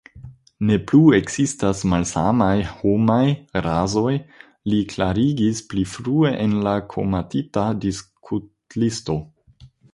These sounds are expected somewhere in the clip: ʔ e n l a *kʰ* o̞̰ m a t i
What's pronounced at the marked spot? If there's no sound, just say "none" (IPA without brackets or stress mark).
kʰ